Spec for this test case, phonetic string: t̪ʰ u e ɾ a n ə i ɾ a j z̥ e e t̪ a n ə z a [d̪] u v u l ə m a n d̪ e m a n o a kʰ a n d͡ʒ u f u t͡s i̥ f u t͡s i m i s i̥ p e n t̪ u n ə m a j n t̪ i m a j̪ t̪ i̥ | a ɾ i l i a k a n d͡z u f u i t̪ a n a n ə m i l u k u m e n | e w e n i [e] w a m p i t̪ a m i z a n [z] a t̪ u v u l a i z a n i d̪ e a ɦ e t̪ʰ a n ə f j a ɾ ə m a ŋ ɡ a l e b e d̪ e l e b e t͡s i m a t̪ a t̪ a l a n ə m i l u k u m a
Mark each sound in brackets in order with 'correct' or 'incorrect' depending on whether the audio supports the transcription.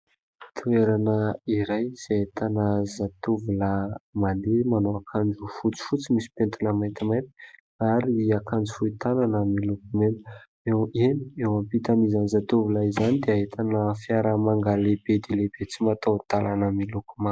incorrect: t̪, correct, correct

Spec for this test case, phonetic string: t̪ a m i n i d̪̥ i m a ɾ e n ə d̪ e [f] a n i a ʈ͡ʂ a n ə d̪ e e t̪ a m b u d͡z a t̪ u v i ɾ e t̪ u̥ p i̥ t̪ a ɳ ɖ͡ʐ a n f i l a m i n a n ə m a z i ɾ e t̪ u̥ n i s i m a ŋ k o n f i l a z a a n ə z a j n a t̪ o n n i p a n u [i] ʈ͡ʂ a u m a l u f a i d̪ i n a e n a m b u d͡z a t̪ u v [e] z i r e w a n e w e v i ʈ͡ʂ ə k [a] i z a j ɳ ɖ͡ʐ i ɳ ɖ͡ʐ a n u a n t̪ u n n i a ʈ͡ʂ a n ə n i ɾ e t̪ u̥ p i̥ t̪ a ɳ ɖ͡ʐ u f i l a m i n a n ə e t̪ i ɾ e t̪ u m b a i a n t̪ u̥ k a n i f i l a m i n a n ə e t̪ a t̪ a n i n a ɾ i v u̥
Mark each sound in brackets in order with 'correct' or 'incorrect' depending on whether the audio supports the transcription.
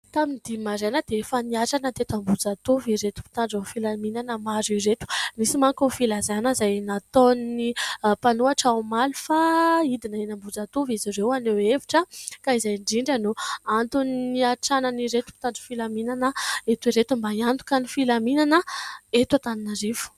correct, incorrect: a, incorrect: i, correct

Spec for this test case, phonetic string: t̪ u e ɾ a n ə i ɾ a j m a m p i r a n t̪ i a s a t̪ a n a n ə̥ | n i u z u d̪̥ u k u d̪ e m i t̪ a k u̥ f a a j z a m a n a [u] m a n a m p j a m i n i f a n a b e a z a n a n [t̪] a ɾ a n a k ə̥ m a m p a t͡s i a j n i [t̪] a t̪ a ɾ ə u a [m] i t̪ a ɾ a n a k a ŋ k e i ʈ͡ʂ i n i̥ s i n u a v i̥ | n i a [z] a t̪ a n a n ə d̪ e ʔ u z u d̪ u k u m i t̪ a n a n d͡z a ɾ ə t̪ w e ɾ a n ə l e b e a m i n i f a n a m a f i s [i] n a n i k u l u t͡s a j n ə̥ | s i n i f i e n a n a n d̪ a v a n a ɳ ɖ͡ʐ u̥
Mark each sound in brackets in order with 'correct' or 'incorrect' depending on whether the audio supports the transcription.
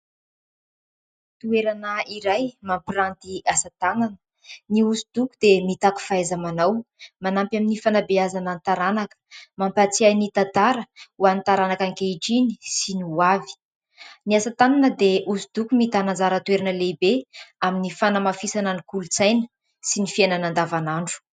incorrect: w, correct, correct, incorrect: n, incorrect: s, incorrect: a

